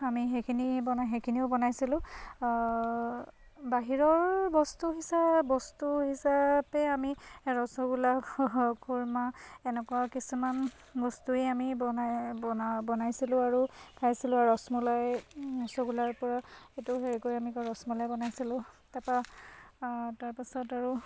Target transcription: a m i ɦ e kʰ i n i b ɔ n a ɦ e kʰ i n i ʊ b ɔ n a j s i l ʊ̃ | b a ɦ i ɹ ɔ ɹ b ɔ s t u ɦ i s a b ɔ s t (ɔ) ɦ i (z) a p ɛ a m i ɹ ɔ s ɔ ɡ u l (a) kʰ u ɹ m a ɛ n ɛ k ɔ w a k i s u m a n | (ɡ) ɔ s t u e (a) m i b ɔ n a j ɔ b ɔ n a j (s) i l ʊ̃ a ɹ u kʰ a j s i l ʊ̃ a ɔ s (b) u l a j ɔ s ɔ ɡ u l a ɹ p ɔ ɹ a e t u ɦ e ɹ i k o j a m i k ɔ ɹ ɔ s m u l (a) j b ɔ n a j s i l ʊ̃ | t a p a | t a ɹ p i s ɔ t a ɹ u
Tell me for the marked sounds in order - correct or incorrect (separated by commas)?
incorrect, incorrect, correct, incorrect, correct, correct, incorrect, correct